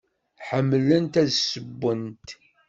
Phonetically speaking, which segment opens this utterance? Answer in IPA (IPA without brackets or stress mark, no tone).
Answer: ħ